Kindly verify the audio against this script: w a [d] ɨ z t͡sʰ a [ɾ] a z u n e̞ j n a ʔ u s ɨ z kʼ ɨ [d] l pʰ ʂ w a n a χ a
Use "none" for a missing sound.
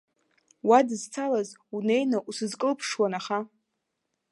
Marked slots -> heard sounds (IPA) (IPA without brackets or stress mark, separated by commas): d, l, none